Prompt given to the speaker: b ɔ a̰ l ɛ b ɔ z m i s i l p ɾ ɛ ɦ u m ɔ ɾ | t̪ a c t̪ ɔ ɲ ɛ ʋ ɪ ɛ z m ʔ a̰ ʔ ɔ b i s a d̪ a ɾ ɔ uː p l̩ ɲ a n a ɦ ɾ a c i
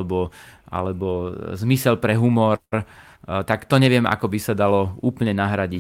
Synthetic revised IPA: b ɔ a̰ l ɛ b ɔ z m i s ɛ l p ɾ ɛ ɦ u m ɔ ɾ | t̪ a k t̪ ɔ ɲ ɛ ʋ ɪ ɛ m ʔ a̰ k ɔ b i s a d̪ a l ɔ uː p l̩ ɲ ɛ n a ɦ ɾ a ɟ i